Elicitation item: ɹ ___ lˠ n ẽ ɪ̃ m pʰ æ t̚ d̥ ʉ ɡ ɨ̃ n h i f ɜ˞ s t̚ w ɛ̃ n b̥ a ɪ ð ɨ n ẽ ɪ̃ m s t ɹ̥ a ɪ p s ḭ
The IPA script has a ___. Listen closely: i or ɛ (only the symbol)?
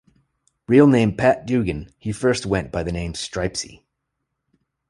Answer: i